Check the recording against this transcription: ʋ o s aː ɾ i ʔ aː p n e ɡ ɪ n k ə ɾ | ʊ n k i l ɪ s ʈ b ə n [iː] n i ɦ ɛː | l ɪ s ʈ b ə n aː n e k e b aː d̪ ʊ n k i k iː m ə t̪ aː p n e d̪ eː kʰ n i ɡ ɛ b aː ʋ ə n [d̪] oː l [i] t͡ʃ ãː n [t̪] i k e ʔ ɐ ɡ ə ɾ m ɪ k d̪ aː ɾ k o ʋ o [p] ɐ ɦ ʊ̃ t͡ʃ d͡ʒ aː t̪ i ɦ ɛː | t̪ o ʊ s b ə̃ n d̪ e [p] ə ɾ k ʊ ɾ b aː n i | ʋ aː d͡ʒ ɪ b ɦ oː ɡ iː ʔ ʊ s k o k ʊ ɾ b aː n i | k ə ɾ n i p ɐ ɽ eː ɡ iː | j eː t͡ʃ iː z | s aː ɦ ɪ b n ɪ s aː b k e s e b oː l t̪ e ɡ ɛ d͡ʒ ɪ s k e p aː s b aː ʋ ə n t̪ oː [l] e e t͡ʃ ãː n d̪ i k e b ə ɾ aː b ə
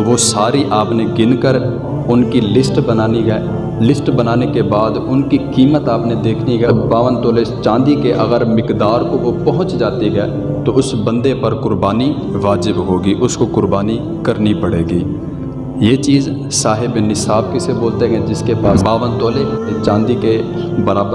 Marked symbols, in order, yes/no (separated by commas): no, no, no, no, yes, yes, yes